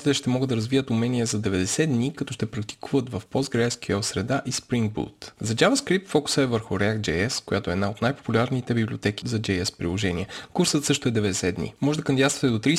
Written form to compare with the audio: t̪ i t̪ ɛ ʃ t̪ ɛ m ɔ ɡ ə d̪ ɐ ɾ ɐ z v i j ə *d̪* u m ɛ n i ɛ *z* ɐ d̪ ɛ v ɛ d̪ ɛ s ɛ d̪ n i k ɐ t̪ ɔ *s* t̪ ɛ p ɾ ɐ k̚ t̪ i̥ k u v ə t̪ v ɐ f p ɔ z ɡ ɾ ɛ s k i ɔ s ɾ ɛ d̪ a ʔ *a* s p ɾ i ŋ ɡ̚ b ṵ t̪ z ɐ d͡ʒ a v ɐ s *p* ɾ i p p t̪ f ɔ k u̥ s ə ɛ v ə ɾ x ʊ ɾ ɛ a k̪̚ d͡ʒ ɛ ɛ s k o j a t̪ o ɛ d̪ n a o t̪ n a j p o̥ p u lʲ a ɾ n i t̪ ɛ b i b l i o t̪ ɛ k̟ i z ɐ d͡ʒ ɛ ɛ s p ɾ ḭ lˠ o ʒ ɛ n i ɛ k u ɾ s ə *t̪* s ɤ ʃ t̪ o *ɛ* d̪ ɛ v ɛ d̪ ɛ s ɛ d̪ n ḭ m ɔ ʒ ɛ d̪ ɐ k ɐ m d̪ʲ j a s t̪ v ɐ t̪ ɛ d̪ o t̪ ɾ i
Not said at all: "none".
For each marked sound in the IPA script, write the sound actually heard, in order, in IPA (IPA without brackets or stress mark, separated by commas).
t̪, z, ʃ, i, k, t̪, ɛ